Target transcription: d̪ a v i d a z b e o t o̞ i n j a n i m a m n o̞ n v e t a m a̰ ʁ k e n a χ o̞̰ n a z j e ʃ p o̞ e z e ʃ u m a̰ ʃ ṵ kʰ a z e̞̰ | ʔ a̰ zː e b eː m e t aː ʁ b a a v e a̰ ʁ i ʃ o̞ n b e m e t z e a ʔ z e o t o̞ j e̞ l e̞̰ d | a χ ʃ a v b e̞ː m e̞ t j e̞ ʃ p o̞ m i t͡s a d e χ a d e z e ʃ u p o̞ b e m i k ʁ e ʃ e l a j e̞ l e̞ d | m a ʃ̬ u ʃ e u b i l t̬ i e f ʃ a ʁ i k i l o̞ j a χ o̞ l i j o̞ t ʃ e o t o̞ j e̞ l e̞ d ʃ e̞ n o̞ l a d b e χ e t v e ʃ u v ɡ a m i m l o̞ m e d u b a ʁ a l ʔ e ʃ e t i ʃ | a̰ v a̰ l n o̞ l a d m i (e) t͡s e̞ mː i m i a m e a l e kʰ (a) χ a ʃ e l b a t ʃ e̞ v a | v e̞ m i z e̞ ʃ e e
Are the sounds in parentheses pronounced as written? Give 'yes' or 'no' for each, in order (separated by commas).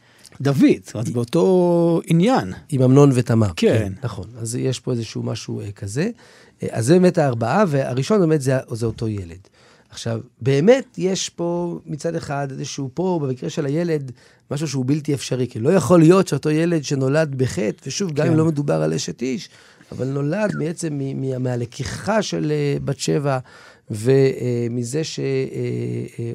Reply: yes, no